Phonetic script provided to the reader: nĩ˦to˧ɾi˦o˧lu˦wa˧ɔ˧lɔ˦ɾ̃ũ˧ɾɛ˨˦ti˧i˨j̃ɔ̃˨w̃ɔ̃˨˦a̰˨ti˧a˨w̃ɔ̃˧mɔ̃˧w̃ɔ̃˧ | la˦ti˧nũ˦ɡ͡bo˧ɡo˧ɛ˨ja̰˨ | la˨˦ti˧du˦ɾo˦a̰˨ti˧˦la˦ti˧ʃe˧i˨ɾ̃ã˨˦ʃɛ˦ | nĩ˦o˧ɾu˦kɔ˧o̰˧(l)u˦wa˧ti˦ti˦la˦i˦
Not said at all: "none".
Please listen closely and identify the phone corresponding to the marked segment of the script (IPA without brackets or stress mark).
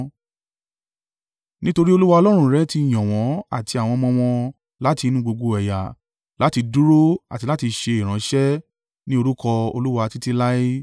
l